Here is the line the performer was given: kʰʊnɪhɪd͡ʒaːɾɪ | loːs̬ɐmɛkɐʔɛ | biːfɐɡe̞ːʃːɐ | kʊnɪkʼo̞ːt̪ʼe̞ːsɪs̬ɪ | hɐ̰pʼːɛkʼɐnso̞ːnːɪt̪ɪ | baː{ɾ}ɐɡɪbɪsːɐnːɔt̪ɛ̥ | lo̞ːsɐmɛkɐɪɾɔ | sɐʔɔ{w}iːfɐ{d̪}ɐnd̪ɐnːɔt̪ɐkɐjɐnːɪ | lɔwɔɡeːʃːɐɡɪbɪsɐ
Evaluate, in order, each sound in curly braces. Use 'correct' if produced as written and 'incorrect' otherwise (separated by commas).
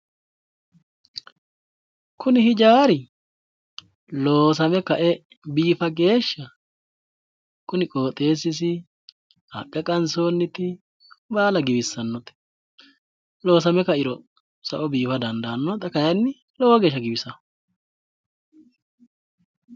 incorrect, incorrect, correct